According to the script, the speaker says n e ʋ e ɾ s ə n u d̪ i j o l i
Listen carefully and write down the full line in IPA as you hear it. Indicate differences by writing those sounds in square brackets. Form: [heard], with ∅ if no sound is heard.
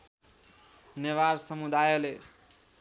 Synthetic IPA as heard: n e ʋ [a] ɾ s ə [m] u d̪ [a] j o l [e]